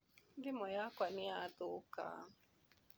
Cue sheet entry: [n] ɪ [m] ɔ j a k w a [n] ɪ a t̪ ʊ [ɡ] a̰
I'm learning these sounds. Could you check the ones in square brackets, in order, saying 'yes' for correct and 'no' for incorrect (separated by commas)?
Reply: no, yes, yes, no